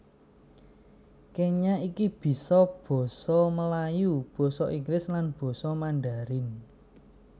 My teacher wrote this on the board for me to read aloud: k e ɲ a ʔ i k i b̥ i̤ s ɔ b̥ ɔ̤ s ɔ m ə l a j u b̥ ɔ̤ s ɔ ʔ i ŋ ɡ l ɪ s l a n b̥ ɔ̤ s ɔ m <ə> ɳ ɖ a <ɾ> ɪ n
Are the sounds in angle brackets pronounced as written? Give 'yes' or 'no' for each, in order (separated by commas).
no, yes